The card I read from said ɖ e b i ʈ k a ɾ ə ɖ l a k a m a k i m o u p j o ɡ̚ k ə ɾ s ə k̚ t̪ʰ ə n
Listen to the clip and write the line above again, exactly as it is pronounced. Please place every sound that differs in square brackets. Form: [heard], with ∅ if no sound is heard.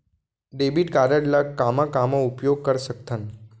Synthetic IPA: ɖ e b i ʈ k a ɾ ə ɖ l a k a m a k [a] m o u p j o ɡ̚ k ə ɾ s ə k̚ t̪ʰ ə n